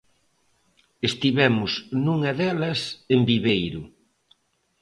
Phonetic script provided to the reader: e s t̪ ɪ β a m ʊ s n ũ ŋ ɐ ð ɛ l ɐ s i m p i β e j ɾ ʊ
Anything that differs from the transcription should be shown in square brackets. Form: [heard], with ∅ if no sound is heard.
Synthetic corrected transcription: e s t̪ [i] β [ɛ] m ʊ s n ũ ŋ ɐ ð ɛ l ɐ s [e] m [b] i β e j ɾ ʊ